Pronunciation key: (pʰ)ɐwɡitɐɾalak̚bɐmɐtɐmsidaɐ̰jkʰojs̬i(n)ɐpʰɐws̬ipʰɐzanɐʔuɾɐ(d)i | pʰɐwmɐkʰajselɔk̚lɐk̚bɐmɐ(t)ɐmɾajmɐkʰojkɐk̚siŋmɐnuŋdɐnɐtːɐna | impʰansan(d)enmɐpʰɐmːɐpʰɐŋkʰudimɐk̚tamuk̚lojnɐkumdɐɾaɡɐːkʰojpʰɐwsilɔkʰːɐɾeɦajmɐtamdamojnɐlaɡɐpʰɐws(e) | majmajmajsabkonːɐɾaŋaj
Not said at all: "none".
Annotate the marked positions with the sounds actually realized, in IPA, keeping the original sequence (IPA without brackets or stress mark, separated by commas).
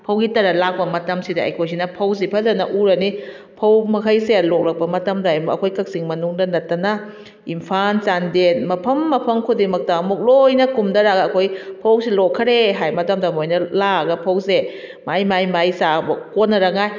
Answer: pʰ, n, n, t, d, e